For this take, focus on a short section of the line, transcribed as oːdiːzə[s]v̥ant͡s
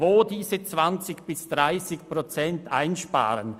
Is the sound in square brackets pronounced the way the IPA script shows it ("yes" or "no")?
no